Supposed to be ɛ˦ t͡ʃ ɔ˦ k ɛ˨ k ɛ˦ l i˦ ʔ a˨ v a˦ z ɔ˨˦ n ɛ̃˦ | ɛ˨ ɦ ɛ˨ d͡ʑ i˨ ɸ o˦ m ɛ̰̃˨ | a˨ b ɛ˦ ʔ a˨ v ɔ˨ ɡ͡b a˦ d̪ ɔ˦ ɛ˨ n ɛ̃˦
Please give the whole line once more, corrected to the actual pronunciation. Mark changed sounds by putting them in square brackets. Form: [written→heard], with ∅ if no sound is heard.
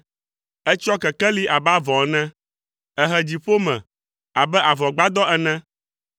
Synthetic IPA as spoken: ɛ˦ t͡ʃ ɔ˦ k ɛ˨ k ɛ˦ l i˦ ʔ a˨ [v→b] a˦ [z→v] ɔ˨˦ n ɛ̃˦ | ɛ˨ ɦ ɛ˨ d͡ʑ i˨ ɸ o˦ m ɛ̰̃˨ | a˨ b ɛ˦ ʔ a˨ v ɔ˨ ɡ͡b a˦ d̪ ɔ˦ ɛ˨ n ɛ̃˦